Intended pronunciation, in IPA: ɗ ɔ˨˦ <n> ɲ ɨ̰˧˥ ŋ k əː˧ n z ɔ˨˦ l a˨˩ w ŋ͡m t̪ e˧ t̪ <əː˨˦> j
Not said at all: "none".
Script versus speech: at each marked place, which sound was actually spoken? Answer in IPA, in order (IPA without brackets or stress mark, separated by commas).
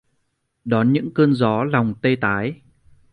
n, aː˨˦